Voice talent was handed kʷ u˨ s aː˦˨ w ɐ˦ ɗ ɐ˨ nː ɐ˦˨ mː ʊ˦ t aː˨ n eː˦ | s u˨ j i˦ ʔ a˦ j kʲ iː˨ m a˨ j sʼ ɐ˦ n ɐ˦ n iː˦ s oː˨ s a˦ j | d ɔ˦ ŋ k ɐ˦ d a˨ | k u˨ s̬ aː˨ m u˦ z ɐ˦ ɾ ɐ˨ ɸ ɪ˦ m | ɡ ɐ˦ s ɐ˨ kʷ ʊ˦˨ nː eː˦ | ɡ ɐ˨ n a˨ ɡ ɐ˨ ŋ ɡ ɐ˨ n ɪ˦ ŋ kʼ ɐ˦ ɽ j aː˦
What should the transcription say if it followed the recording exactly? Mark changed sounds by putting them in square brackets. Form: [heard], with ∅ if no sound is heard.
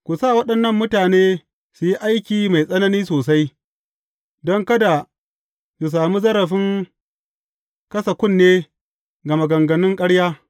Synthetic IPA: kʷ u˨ s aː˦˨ w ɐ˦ ɗ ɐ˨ nː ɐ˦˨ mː ʊ˦ t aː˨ n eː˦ | s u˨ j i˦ ʔ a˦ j kʲ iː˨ m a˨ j sʼ ɐ˦ n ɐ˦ n iː˦ s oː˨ s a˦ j | d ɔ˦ ŋ k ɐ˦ d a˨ | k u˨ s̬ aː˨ m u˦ z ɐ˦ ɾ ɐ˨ ɸ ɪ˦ [ŋ] | [k] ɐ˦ s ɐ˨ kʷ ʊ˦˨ nː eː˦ | ɡ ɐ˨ [m] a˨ ɡ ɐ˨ ŋ ɡ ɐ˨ n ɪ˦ ŋ kʼ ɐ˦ ɽ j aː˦